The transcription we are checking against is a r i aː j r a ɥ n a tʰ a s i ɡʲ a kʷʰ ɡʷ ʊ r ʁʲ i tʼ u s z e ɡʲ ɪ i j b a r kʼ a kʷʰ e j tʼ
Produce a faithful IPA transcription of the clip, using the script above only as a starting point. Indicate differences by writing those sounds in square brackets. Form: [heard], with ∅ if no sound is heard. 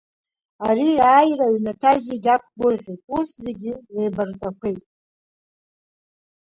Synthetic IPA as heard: a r i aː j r a ɥ n a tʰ a [z] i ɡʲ a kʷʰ ɡʷ ʊ r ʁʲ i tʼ u s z e ɡʲ ɪ [e] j b a r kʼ a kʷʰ e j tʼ